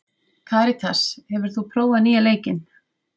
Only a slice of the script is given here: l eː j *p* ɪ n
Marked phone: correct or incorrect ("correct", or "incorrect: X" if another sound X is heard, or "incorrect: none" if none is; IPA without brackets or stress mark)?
incorrect: c